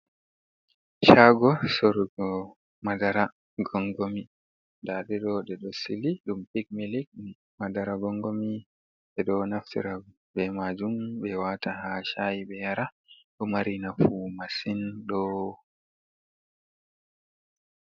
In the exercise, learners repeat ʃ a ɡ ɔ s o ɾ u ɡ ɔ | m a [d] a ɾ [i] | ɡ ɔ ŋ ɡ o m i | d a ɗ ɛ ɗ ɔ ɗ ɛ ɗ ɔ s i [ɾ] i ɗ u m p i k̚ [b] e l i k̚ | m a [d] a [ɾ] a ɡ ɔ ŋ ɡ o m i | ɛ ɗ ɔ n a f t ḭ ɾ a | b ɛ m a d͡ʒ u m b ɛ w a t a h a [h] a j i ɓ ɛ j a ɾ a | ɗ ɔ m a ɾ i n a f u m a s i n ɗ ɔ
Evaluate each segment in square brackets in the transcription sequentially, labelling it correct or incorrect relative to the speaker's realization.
correct, incorrect, incorrect, incorrect, correct, correct, incorrect

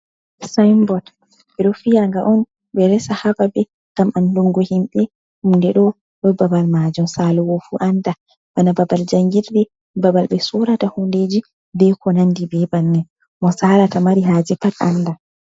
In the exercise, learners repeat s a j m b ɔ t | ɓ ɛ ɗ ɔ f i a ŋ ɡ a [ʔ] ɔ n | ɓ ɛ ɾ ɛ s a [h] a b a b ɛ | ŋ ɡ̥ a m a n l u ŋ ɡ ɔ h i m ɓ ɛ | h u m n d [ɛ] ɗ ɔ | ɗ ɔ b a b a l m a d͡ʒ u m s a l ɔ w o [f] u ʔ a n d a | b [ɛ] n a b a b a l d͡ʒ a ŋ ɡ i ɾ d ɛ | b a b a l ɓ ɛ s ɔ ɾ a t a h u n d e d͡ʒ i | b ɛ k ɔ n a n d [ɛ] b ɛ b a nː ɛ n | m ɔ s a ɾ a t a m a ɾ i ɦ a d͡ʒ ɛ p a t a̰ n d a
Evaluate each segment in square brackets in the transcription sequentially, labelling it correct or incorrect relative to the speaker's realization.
correct, correct, correct, correct, incorrect, incorrect

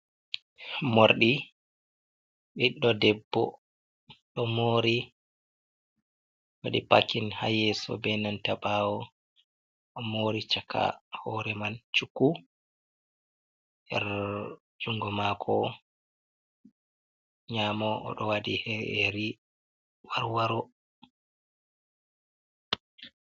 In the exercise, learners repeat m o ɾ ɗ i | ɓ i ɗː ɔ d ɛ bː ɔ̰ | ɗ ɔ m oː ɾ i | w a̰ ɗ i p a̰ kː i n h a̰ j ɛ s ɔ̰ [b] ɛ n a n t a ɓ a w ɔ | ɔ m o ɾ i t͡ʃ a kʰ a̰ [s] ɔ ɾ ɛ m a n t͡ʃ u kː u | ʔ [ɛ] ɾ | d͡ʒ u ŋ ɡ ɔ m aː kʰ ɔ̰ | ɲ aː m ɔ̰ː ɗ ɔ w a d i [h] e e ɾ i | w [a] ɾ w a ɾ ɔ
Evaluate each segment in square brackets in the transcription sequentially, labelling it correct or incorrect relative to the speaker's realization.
correct, incorrect, correct, correct, correct

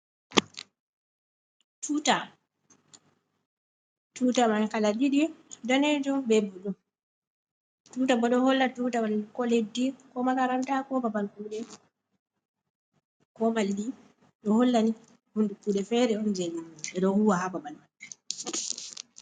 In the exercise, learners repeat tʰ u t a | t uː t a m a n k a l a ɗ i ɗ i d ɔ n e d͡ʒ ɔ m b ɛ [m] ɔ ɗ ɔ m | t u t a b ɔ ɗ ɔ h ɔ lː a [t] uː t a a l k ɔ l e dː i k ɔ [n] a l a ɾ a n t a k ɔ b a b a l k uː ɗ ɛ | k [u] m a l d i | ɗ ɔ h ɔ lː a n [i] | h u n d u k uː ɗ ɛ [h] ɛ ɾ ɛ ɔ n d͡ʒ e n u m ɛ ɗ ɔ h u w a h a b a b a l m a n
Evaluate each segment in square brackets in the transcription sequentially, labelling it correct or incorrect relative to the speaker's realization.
incorrect, correct, incorrect, incorrect, correct, incorrect

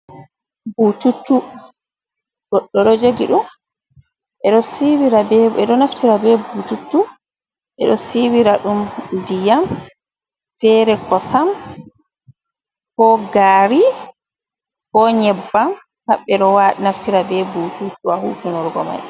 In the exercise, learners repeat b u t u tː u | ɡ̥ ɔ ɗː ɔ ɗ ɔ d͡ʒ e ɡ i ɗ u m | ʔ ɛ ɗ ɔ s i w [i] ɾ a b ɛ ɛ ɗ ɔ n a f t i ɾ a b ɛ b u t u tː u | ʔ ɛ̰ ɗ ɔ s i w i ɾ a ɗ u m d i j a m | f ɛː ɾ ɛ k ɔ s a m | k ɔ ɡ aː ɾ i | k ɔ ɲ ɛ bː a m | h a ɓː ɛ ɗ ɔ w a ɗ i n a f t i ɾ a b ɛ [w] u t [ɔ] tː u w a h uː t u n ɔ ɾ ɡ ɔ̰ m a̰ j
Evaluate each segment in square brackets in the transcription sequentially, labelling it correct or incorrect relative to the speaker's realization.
correct, incorrect, incorrect

